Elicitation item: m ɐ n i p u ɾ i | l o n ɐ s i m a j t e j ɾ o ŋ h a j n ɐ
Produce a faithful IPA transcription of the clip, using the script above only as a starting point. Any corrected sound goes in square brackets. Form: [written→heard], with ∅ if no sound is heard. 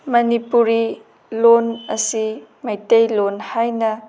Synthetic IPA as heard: m ɐ n i p u ɾ i | l o n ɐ s i m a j t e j [ɾ→l] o [ŋ→n] h a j n ɐ